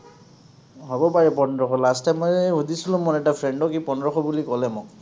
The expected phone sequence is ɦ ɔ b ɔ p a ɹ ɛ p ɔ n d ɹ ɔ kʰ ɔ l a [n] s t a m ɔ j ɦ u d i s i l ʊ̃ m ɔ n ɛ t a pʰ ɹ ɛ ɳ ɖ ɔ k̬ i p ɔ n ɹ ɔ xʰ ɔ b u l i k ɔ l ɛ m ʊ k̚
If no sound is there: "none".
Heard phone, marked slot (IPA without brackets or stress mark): none